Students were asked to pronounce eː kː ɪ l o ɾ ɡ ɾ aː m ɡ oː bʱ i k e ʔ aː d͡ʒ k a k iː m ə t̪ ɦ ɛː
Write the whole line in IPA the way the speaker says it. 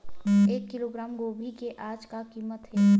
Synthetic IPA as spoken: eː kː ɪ l o ɡ ɾ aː m ɡ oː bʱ i k e ʔ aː d͡ʒ k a k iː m ə t̪ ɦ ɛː